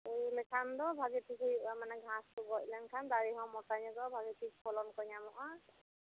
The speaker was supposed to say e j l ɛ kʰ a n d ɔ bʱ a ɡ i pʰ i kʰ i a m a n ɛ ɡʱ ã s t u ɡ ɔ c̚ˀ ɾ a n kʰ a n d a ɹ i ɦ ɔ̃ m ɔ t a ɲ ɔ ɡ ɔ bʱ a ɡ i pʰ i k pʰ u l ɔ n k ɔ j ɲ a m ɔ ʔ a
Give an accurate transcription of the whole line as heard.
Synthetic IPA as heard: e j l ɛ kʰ a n d ɔ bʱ a ɡ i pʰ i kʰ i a m a n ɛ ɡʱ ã s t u ɡ ɔ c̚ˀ l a n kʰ a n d a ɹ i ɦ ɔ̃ m ɔ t a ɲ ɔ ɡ ɔ bʱ a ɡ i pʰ i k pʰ ɔ l ɔ n k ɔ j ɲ a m ɔ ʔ a